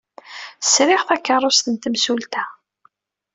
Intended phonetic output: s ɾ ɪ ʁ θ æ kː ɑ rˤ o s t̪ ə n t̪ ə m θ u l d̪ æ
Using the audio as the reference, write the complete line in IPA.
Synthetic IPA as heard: s ɾ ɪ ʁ θ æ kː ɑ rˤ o s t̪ ə n t̪ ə m s u l t̪ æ